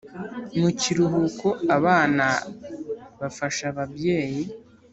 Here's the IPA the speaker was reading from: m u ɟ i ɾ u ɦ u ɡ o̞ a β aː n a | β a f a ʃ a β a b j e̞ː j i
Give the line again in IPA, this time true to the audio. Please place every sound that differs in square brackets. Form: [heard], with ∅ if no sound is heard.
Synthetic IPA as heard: m u [c] i ɾ u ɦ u [k] o̞ a β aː n a | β a f a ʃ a β a b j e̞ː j i